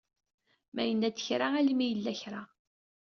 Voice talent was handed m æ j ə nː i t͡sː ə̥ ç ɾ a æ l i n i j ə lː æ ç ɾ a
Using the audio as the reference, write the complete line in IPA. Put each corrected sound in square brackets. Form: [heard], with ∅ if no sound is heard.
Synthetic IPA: m æ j ə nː [æ] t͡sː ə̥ ç ɾ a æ l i [m] i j ə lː æ ç ɾ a